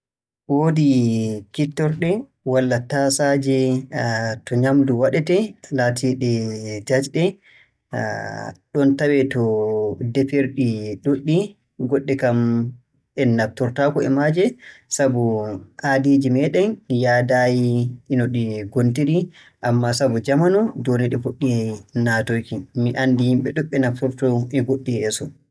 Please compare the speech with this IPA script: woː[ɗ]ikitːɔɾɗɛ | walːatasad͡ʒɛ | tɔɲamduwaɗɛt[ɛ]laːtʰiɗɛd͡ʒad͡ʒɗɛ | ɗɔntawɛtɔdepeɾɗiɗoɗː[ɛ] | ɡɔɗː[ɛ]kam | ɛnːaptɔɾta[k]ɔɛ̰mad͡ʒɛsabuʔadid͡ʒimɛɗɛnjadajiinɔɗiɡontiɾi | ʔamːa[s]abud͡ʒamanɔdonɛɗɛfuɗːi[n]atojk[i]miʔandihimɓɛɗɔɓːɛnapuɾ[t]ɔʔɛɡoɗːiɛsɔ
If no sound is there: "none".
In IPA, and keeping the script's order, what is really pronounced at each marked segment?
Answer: d, ɛ, i, ɛ, k, s, n, i, t

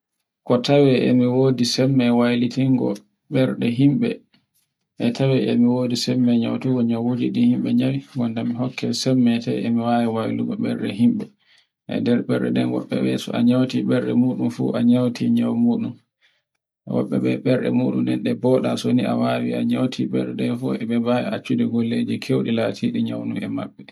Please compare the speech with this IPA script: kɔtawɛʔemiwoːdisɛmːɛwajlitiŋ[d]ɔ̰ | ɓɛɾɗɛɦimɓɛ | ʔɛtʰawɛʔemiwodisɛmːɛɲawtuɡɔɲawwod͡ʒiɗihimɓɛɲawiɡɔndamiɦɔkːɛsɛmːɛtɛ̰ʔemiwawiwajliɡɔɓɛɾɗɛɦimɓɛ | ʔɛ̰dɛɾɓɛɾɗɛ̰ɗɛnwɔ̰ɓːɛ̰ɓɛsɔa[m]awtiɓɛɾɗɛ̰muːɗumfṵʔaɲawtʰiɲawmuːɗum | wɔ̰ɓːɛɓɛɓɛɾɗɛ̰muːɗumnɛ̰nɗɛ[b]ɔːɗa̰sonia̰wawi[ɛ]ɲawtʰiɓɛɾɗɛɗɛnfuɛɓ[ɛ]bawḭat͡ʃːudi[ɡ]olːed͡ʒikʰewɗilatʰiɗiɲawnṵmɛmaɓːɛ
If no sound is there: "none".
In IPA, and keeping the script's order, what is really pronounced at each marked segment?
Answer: ɡ, ɲ, b, a, ɛ, ɡ

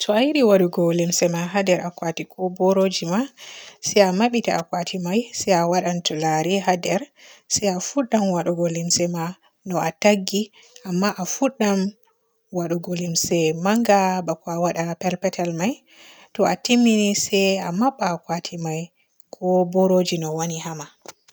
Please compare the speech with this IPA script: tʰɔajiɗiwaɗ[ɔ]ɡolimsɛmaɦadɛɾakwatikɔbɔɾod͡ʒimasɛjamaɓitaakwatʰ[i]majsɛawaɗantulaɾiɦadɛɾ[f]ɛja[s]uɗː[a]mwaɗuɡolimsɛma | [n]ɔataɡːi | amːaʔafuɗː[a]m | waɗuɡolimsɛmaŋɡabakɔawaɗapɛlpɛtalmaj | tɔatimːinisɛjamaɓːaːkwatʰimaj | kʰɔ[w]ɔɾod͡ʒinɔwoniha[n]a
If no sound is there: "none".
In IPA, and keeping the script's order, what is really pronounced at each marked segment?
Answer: u, i, s, f, a, n, a, b, m

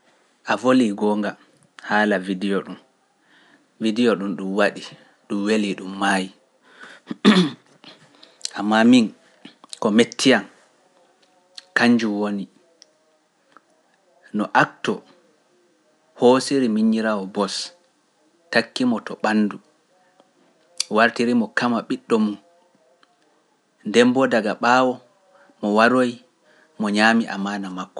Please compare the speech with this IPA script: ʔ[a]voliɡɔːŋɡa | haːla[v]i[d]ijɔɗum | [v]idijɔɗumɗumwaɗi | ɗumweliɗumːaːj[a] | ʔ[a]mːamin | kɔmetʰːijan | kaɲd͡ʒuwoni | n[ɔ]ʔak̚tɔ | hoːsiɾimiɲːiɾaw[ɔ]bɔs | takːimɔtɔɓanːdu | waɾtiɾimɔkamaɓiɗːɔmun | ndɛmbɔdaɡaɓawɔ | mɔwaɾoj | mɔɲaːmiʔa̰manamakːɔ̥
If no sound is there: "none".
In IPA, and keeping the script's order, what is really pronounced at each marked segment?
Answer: a, v, d, v, i, a, ɔ, ɔ

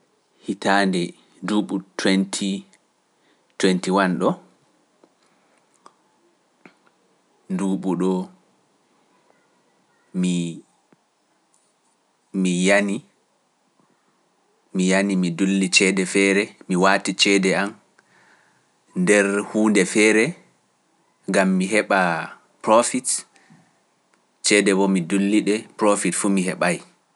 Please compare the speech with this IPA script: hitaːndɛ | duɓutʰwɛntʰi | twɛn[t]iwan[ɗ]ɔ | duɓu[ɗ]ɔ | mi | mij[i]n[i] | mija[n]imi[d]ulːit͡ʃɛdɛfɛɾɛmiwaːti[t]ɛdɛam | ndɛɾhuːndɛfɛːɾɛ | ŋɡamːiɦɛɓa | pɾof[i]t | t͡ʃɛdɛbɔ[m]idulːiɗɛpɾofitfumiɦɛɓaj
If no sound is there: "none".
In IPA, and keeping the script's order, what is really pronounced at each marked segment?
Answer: t, ɗ, ɗ, a, i, n, d, t͡ʃ, i, m

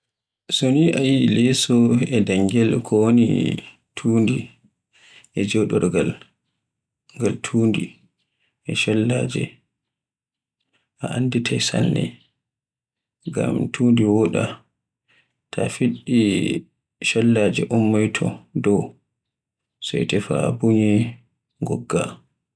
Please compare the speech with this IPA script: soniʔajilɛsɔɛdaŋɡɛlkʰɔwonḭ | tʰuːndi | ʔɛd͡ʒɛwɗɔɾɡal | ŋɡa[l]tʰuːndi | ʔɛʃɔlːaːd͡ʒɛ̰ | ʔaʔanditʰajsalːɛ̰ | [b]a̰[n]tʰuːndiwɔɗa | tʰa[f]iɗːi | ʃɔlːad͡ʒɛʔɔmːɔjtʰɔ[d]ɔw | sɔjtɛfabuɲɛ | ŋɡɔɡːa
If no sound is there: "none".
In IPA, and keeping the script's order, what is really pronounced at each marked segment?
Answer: l, ɡ, m, f, d

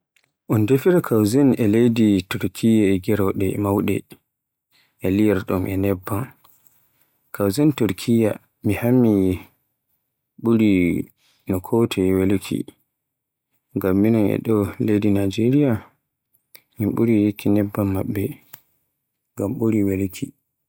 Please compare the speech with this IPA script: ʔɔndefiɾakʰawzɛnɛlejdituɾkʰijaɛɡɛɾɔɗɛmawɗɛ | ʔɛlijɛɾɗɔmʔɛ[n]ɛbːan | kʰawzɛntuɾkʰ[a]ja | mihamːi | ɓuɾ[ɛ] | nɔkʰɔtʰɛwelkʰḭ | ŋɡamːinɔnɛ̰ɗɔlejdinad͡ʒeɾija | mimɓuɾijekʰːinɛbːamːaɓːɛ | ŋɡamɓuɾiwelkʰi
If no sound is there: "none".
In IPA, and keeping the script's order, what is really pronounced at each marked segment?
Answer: n, i, i

